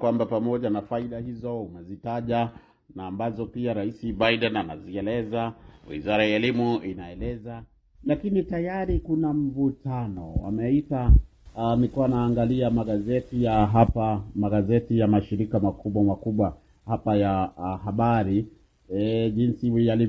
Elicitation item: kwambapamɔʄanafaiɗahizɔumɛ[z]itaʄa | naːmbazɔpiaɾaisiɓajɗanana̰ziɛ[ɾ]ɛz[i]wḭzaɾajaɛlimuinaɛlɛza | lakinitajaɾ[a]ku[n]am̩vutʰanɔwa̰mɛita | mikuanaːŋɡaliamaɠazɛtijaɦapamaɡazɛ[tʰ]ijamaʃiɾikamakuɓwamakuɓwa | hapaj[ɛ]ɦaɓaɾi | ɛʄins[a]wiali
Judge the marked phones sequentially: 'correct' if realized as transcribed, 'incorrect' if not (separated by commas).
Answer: correct, incorrect, incorrect, incorrect, correct, incorrect, incorrect, incorrect